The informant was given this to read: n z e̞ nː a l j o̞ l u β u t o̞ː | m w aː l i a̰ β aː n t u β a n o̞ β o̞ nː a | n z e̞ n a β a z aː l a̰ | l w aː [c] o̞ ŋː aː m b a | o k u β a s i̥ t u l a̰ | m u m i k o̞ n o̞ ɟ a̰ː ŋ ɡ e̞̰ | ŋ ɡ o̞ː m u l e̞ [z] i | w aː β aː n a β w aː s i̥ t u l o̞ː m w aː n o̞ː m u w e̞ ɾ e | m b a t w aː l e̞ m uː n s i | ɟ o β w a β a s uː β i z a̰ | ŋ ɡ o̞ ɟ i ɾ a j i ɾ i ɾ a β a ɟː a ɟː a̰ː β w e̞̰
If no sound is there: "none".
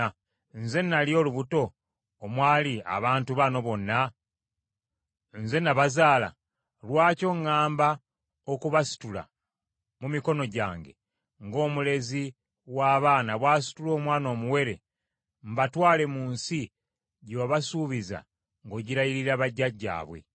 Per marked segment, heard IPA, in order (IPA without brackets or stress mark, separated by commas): c, z